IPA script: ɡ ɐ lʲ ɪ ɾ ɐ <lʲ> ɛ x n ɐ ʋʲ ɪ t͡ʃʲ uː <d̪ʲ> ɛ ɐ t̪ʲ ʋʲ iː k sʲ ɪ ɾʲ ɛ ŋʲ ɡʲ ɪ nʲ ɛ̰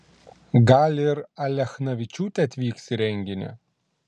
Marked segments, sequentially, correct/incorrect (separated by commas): correct, incorrect